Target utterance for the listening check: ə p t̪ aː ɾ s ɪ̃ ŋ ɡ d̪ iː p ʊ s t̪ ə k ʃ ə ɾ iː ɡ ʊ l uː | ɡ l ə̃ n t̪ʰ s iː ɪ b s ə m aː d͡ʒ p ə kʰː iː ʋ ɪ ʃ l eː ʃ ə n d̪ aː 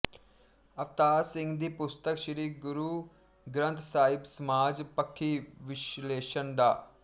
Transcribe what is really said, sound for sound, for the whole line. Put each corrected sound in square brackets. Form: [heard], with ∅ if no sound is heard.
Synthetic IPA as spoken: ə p t̪ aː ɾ s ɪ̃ ŋ ɡ d̪ iː p ʊ s t̪ ə k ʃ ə ɾ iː ɡ ʊ [ɾ] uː | ɡ [ɾ] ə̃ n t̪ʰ s [aː] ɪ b s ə m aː d͡ʒ p ə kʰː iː ʋ ɪ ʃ l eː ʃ ə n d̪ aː